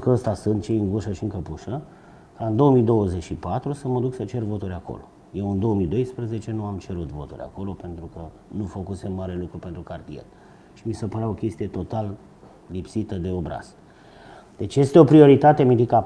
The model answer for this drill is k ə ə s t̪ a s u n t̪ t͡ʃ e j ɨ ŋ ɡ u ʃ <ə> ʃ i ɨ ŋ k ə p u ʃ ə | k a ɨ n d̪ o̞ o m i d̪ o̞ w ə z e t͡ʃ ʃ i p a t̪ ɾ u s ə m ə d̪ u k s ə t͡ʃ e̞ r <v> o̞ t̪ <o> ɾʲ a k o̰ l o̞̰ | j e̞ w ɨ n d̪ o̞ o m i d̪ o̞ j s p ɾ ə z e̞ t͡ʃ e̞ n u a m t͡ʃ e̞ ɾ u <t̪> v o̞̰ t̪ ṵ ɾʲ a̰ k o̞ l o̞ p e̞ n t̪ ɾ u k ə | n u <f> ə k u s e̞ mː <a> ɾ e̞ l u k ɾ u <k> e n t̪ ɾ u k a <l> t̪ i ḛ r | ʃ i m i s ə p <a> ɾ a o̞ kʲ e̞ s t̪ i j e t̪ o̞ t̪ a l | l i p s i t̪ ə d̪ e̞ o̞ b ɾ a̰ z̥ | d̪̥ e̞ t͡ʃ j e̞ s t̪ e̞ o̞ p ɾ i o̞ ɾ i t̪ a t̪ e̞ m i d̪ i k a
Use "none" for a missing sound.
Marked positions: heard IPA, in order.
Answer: ə, v, u, t̪, f, a, p, r, ə

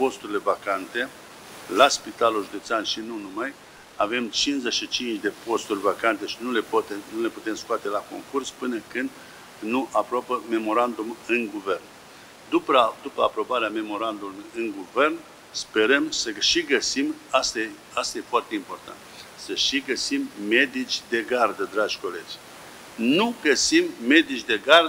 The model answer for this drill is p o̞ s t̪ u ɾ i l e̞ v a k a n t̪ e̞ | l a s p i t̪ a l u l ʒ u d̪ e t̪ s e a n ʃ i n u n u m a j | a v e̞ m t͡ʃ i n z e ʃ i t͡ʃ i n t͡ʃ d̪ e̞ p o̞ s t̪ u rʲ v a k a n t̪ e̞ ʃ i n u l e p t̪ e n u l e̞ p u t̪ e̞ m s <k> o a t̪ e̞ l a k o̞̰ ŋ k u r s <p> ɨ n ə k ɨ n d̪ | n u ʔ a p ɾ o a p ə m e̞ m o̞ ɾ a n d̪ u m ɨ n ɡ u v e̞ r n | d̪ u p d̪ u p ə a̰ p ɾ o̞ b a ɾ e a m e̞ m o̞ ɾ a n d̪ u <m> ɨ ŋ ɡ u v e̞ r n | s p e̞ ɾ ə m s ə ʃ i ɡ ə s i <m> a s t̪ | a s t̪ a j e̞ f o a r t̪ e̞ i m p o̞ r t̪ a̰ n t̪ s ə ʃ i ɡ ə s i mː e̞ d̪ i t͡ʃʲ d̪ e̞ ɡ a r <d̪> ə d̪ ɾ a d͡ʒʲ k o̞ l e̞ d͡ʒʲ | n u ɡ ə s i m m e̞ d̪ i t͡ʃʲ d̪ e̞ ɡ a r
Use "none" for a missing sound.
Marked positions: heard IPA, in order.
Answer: k, p, m, m, d̪

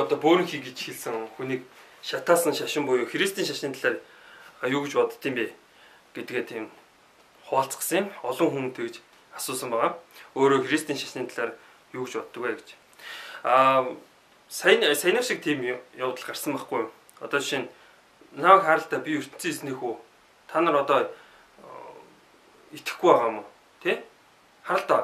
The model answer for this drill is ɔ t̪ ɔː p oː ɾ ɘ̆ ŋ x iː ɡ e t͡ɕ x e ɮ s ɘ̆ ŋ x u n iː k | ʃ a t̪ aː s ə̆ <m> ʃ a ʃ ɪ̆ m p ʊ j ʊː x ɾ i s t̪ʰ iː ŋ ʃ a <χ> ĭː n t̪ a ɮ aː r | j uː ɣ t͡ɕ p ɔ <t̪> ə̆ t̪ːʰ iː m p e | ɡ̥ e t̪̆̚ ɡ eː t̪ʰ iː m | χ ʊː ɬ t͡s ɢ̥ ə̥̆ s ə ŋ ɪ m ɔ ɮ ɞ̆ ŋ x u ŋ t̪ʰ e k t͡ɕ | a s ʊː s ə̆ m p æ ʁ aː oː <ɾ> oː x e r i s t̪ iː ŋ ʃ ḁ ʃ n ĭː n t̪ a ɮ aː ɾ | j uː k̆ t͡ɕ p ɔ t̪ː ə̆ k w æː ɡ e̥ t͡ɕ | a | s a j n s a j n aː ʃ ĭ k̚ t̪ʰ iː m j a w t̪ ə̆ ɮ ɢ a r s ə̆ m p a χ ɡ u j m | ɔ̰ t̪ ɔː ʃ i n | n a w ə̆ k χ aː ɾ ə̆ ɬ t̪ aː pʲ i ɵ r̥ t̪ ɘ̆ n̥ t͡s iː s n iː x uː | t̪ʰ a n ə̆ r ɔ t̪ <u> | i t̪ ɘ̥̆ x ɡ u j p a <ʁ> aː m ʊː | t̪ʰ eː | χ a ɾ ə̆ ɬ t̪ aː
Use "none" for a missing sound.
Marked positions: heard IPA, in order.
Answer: ŋ, ʃ, t̪, ɾ, ɔ, ʁ

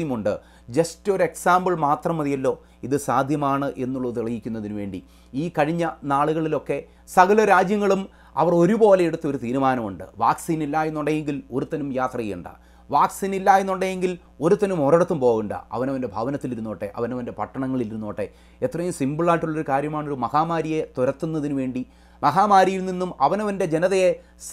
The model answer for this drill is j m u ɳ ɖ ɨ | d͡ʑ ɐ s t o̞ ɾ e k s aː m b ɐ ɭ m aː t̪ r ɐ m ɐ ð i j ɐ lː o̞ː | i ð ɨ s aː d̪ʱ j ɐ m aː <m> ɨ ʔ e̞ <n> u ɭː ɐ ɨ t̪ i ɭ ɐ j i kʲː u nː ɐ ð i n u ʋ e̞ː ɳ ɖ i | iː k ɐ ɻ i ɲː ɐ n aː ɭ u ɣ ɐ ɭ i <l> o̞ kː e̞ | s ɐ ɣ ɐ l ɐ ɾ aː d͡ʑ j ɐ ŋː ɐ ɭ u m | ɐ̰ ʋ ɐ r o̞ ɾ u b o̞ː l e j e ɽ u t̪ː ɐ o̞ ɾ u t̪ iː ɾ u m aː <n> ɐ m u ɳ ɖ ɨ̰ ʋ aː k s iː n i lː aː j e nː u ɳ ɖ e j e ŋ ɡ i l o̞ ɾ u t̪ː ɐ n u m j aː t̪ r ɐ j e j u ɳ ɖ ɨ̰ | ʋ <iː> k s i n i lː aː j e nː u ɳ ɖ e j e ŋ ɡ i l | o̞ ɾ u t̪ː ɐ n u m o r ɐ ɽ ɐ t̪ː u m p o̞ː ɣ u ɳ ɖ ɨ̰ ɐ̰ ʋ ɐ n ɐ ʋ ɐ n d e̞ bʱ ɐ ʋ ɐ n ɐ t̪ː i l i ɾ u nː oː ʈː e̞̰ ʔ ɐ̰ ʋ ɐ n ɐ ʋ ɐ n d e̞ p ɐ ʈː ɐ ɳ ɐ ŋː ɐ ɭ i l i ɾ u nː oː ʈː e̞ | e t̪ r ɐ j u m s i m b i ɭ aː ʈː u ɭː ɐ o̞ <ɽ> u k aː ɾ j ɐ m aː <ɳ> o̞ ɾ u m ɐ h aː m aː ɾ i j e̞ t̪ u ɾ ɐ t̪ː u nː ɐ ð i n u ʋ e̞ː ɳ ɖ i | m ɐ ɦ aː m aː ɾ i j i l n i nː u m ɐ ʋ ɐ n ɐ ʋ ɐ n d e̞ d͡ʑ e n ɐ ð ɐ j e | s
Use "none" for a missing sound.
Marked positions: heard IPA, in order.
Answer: ɳ, nː, l, n, aː, ɾ, ɳ

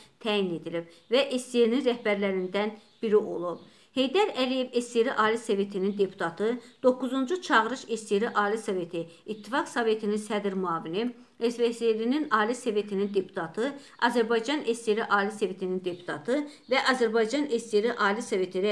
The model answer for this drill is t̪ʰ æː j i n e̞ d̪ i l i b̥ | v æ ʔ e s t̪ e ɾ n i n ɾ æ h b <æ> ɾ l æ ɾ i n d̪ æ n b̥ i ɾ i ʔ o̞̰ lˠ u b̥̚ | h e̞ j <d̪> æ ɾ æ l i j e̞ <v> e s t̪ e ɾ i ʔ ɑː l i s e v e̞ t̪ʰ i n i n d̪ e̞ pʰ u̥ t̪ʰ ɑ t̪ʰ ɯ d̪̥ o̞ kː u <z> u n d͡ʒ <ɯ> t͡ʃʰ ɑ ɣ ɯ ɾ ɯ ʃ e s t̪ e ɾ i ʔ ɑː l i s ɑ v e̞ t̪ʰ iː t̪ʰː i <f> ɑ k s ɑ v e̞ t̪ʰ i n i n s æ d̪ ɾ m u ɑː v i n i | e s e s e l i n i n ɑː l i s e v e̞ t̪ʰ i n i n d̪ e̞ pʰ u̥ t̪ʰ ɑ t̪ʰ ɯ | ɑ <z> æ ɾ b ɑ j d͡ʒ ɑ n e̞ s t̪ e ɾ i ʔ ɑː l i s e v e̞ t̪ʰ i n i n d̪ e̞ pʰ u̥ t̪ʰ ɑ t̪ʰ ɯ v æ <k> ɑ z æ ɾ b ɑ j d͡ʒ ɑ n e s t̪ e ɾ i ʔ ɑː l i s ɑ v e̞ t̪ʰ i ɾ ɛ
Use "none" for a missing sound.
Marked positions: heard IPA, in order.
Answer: æ, d̪, v, z, u, f, z, ʔ

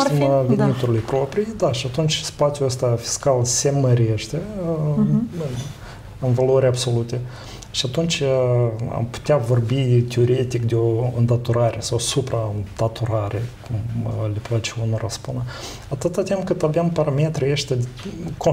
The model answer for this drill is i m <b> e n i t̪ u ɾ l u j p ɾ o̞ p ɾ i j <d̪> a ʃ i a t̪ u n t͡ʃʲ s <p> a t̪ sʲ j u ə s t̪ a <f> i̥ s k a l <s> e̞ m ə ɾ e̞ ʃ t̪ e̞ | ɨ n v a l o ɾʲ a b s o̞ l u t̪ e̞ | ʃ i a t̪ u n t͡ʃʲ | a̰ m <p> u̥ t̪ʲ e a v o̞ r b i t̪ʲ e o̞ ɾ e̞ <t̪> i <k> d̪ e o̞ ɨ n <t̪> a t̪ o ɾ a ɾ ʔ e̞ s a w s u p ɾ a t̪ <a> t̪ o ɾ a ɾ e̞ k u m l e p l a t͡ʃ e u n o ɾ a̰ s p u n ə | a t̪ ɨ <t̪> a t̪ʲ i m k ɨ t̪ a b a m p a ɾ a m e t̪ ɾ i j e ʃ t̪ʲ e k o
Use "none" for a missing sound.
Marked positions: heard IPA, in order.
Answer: v, d̪, p, f, s, p, t̪, k, d̪, a, t̪

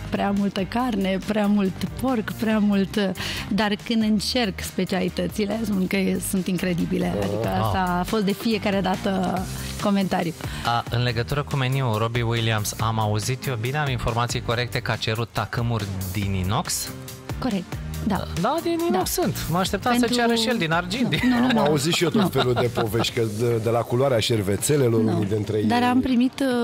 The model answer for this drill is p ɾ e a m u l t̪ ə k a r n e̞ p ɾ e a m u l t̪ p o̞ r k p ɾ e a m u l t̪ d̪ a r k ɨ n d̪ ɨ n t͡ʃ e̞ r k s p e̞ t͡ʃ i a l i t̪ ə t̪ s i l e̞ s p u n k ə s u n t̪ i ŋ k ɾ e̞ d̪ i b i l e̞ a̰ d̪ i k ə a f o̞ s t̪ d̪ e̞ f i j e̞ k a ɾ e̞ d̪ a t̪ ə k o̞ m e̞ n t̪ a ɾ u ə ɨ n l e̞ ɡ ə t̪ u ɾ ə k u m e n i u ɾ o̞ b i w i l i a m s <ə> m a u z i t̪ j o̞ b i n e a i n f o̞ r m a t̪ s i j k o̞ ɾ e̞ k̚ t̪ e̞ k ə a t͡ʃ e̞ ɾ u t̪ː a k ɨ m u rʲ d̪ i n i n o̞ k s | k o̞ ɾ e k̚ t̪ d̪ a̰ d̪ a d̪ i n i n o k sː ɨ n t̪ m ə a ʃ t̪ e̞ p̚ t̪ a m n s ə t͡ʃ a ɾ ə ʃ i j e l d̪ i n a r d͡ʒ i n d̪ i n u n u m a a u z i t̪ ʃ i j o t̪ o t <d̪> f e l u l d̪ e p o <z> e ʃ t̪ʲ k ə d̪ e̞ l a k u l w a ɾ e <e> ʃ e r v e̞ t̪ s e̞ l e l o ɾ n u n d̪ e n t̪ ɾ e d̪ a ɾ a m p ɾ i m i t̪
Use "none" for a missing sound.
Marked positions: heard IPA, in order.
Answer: a, t̪, v, a

